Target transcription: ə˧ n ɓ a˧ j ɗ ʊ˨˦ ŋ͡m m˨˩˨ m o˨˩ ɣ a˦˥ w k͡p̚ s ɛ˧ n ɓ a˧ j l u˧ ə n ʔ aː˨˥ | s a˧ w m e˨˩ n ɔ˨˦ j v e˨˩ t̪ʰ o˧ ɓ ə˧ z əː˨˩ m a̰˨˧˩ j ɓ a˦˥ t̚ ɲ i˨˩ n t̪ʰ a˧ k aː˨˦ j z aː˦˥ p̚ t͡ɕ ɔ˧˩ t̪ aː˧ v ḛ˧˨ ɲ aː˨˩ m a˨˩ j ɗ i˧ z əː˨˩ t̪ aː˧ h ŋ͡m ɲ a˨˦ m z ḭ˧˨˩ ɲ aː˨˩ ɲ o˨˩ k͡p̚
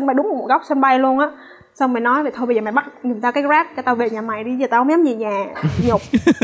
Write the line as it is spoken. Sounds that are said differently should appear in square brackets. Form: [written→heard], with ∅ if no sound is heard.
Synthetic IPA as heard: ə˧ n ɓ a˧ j ɗ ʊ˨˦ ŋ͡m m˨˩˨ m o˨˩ ɣ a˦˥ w k͡p̚ s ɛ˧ n ɓ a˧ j l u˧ ə n ʔ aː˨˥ | s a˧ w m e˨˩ n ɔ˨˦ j v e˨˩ t̪ʰ o˧ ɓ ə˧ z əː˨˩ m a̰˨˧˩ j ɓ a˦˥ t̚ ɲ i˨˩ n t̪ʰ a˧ k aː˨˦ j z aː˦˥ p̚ t͡ɕ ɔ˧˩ t̪ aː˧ v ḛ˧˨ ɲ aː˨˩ m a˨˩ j ɗ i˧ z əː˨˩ t̪ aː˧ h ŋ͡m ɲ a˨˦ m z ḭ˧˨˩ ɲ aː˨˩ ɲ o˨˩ k͡p̚